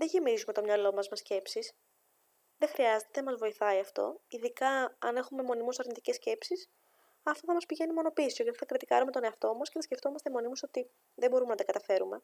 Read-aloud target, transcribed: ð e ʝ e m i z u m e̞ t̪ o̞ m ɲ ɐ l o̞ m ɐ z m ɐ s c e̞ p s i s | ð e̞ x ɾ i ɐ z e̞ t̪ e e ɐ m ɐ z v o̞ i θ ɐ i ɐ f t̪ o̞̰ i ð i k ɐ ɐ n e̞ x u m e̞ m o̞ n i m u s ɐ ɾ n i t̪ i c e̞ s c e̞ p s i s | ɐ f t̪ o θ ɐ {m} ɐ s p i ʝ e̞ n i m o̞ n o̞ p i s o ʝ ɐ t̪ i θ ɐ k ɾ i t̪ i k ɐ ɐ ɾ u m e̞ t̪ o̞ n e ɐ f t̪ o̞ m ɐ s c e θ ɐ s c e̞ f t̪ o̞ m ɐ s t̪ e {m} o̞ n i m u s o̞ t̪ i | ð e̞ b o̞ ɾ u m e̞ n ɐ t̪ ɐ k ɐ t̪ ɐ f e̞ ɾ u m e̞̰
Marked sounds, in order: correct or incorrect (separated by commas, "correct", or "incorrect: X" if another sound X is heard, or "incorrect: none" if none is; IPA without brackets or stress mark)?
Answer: correct, correct